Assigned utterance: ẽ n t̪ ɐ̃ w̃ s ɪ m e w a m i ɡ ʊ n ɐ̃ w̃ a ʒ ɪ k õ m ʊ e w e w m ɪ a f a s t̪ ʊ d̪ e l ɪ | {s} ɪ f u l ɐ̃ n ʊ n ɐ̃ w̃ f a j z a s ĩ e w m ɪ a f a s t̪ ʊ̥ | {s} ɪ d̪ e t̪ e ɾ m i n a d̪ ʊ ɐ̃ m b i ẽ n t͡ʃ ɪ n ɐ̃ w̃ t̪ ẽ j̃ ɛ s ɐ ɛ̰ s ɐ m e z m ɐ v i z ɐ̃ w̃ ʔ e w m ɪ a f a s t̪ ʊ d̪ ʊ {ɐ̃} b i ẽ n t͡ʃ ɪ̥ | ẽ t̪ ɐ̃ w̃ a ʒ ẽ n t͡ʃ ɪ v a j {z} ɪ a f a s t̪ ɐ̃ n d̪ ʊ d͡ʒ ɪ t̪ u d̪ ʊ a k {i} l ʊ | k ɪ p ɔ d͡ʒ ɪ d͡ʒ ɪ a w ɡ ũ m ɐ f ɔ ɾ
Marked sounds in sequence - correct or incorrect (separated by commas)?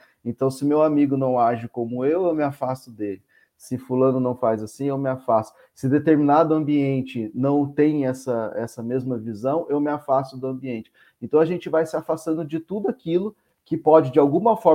correct, correct, correct, incorrect, correct